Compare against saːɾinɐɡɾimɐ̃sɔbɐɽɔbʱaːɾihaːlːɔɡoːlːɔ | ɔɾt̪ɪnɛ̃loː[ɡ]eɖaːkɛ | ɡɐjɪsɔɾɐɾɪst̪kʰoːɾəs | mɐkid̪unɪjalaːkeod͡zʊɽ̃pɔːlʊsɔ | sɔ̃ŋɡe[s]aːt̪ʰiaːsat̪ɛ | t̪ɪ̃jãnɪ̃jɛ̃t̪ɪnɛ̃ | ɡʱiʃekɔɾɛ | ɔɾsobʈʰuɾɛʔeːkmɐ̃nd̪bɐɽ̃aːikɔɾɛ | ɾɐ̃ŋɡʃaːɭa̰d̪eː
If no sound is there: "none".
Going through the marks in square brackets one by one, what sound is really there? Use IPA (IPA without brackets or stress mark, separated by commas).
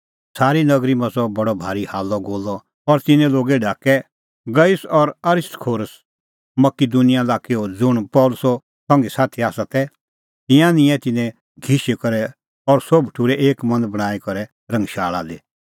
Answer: ɡ, s